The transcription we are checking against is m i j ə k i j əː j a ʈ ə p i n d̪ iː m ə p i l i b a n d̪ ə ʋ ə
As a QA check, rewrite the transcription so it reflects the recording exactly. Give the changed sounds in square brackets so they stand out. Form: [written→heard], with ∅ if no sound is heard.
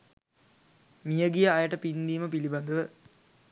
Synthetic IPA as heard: m i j ə [k→ɡ] i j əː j [a→ə] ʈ ə p i n d̪ iː m ə p i l i b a n d̪ ə ʋ ə